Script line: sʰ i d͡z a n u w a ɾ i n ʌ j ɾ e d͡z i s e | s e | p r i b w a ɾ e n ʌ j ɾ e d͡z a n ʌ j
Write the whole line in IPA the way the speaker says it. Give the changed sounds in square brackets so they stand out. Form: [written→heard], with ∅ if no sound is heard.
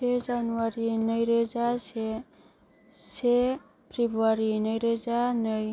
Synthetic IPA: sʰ [i→e] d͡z a n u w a ɾ i n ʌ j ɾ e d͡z [i→a] s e | s e | p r i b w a ɾ [e→i] n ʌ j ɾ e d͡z a n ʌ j